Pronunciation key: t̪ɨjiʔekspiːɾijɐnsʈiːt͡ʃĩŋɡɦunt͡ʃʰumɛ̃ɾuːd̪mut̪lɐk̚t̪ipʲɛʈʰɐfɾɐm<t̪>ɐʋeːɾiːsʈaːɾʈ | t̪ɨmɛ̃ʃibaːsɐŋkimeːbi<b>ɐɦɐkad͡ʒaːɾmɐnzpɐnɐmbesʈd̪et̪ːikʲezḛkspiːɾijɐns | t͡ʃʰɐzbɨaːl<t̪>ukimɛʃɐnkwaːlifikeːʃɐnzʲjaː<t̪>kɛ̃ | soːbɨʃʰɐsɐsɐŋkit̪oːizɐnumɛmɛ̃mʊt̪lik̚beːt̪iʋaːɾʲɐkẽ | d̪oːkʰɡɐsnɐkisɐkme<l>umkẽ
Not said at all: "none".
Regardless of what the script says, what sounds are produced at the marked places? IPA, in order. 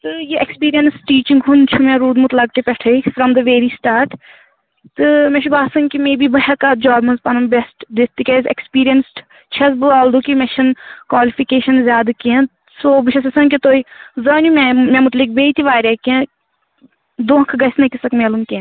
d̪, b, d̪, d̪, l

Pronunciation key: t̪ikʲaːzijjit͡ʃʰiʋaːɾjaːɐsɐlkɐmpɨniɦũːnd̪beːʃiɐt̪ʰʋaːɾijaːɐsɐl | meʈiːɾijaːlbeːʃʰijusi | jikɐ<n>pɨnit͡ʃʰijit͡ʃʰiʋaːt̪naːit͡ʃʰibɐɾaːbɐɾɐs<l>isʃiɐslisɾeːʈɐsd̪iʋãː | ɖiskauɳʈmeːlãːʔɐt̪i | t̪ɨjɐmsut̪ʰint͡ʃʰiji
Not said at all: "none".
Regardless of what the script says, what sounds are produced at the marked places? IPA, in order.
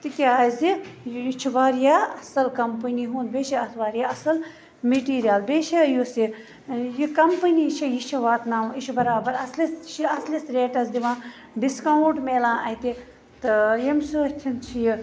m, l

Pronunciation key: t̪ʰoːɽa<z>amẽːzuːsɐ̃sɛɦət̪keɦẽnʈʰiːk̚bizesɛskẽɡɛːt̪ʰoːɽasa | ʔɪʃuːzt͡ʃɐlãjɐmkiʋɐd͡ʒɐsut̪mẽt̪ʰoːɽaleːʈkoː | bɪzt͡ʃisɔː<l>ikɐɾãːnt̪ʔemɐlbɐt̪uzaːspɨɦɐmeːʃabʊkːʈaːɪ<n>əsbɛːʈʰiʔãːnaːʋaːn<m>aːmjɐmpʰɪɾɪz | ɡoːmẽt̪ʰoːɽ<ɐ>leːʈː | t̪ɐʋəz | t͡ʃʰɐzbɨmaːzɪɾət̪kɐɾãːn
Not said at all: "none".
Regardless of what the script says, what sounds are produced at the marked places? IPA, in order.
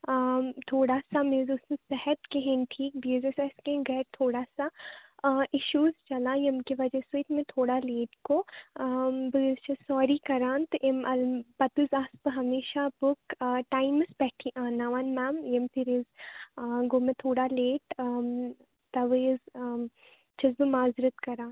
s, ɾ, m, m, a

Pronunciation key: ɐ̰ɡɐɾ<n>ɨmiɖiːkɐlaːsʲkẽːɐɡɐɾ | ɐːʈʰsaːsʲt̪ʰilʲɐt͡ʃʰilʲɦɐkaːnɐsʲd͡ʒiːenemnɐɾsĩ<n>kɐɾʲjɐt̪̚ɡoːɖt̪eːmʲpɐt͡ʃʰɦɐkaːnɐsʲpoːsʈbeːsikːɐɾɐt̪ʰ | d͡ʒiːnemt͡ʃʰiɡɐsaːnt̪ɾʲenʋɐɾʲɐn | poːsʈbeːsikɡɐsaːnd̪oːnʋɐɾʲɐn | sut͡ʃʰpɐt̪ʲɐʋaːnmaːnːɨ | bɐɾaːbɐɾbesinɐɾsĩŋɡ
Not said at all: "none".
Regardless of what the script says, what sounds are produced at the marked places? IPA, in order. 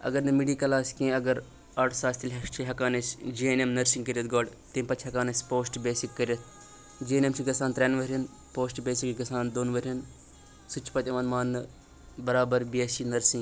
n, ŋ

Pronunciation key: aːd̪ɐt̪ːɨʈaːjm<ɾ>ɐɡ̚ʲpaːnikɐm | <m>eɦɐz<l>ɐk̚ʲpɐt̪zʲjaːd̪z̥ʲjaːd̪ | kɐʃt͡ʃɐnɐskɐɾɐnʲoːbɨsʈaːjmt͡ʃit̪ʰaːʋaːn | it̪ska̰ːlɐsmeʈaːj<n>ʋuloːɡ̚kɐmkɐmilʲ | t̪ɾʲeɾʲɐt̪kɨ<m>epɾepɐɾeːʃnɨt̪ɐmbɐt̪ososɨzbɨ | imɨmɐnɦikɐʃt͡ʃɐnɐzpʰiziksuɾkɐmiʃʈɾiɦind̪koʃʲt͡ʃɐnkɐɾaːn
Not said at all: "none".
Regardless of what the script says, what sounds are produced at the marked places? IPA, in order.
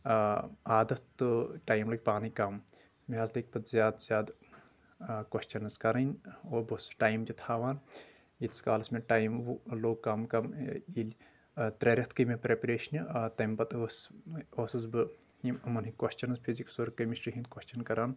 l, m, l, m, m

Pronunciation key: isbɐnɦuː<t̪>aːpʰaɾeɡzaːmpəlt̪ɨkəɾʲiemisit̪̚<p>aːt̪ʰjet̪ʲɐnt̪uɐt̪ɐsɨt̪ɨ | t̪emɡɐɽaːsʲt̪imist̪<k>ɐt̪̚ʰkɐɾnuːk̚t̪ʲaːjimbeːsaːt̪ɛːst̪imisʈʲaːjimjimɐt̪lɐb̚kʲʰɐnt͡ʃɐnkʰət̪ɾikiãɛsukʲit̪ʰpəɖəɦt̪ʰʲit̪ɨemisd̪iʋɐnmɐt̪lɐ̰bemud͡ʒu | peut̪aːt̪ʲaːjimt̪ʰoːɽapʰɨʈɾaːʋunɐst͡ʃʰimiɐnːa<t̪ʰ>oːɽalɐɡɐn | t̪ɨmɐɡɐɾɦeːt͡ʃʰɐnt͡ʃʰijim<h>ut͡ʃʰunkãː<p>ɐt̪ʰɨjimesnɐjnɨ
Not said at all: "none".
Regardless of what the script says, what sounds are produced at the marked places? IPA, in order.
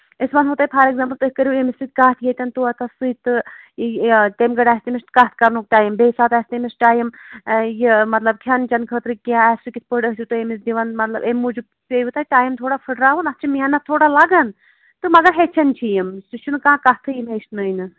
t̪, k, k, t̪ʰ, s, k

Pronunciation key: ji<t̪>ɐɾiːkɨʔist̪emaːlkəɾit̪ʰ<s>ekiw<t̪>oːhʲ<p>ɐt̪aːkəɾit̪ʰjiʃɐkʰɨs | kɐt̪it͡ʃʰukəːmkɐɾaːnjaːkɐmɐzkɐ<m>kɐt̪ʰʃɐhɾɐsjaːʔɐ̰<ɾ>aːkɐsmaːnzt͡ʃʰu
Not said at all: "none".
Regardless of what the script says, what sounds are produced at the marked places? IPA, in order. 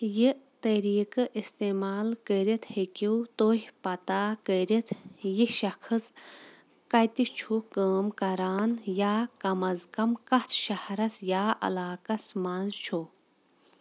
t̪, h, t̪, p, m, l

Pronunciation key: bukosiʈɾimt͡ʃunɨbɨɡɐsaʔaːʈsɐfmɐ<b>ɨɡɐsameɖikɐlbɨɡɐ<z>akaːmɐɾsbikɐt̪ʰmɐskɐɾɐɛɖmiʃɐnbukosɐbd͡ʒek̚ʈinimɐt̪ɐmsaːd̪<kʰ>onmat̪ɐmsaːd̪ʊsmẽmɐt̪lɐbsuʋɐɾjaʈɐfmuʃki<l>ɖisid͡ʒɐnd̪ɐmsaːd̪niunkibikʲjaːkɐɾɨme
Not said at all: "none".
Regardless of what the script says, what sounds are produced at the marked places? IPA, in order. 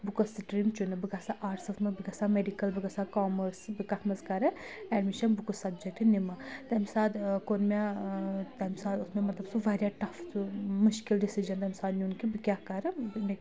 b, s, k, l

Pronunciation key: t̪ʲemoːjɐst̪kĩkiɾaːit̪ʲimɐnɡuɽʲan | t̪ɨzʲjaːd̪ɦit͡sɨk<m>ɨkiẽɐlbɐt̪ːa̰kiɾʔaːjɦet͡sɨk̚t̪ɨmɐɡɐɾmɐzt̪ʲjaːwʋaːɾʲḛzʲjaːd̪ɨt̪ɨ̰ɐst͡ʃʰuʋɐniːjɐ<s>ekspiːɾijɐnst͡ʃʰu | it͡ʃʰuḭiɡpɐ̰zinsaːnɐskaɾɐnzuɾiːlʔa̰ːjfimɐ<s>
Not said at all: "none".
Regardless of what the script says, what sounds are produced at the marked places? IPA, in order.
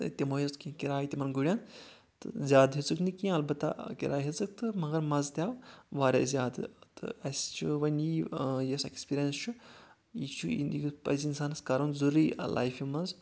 n, s, z

